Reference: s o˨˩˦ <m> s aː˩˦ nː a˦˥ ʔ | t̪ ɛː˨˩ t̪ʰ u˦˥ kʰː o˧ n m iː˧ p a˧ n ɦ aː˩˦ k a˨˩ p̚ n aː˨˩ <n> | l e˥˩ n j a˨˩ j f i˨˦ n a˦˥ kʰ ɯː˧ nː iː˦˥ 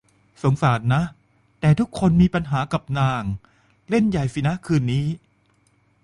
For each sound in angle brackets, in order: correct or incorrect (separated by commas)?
incorrect, incorrect